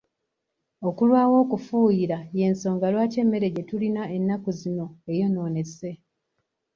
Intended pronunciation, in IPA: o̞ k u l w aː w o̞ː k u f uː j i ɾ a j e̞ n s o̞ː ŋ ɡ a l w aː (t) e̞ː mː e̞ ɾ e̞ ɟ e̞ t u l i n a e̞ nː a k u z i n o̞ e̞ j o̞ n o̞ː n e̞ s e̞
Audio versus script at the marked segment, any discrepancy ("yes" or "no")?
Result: yes